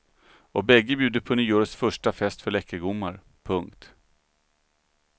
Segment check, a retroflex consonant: present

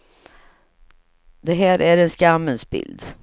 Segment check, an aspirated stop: absent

